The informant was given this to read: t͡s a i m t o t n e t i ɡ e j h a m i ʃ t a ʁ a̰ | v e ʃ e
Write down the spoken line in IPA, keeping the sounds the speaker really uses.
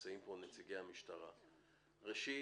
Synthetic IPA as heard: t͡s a i m p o n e t͡s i ɡ e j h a m i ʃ t a ʁ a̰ | ʁ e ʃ i